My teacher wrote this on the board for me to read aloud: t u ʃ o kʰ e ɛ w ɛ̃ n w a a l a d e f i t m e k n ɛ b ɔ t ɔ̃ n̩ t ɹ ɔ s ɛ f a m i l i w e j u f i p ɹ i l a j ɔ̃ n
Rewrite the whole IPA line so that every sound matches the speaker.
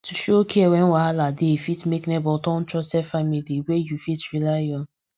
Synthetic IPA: t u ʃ o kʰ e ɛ w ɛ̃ n w a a l a d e f i t m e k n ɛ b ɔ t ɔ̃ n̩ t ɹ ɔ s ɛ f a m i l i w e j u f i t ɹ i l a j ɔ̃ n